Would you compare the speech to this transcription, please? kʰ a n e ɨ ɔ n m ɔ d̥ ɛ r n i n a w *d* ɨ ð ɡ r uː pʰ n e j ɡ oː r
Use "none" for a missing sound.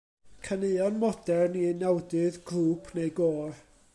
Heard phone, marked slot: d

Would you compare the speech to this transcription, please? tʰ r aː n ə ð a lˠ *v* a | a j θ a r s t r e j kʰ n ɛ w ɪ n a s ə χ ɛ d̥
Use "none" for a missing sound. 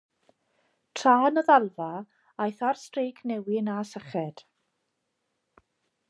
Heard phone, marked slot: v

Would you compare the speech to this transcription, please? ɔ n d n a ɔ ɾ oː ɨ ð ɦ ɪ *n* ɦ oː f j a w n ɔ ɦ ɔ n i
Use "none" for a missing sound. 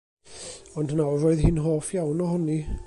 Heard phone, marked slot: n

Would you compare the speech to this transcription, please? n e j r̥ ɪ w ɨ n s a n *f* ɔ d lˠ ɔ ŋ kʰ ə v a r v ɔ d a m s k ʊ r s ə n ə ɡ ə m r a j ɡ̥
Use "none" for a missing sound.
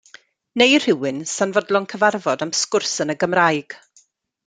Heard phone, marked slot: v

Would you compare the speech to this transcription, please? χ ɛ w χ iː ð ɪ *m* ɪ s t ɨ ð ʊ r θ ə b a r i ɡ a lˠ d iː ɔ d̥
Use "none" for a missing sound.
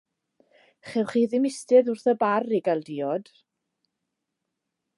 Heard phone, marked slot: m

